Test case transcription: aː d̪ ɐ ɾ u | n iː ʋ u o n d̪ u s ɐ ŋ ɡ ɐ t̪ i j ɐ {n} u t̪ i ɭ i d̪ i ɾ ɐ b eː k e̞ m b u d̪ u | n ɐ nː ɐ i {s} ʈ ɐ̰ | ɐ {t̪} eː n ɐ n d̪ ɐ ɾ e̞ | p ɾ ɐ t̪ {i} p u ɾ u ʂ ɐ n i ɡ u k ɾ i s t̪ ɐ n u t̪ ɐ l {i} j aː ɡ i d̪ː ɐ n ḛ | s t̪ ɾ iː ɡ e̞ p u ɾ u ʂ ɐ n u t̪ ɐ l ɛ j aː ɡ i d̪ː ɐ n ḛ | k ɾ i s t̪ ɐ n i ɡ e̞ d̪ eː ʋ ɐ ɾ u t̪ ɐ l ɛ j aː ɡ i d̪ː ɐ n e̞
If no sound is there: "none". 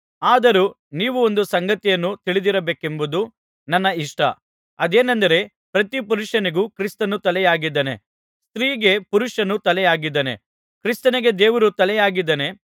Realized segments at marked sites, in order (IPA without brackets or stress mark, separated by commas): nː, ʂ, d̪, i, ɛ